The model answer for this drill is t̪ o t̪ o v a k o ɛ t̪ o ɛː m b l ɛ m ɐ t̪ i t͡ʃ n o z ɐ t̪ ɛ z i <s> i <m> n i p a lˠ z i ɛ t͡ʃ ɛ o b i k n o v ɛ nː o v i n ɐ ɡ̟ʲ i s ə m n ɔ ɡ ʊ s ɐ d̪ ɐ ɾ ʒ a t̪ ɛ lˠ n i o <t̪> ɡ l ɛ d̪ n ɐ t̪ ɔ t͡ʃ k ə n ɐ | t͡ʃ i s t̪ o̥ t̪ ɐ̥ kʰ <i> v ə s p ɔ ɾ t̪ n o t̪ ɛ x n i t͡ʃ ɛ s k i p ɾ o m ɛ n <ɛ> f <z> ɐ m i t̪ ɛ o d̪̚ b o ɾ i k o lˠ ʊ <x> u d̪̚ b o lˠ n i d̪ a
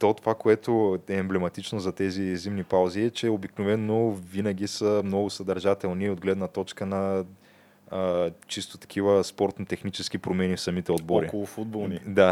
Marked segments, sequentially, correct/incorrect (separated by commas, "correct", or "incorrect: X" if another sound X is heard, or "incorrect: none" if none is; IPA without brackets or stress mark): incorrect: z, correct, incorrect: d̪, correct, incorrect: i, incorrect: s, incorrect: f